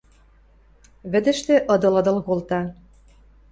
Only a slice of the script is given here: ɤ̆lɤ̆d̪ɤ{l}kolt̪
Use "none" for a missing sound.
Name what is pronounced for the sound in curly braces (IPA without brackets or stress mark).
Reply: l